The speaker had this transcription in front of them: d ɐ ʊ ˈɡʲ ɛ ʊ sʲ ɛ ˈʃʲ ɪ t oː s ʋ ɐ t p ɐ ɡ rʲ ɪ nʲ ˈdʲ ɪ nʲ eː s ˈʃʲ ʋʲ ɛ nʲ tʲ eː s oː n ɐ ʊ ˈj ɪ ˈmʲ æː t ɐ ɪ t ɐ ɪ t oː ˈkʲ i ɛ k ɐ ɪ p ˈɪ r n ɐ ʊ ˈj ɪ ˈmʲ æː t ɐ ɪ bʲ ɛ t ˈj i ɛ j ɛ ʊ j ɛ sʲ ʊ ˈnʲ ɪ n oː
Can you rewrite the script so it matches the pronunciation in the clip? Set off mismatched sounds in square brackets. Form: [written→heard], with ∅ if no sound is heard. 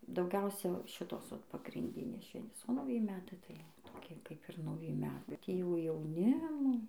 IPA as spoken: d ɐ ʊ ˈɡʲ ɛ ʊ sʲ ɛ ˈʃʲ ɪ t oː s ʋ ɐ t p ɐ ɡ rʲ ɪ nʲ ˈdʲ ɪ nʲ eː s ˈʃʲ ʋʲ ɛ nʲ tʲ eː s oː n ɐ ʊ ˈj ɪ ˈmʲ æː t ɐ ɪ t ɐ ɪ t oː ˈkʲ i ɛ k ɐ ɪ p ˈɪ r n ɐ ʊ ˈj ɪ ˈmʲ æː t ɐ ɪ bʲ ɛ t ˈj i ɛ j ɛ ʊ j ɛ [sʲ→∅] ʊ ˈnʲ ɪ [n→m] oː